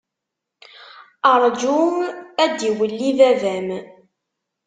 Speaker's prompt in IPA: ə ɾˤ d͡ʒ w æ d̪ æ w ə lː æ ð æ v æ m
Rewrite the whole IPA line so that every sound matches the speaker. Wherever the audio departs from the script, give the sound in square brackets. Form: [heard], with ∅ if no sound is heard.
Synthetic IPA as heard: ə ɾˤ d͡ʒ [u] æ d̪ [i] w ə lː [i] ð æ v æ m